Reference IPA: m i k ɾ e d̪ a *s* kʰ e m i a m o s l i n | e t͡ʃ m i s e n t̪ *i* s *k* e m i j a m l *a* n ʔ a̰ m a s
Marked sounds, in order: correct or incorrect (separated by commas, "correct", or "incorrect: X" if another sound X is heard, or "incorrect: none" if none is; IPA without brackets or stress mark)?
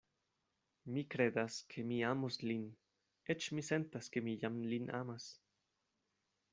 correct, incorrect: a, correct, incorrect: i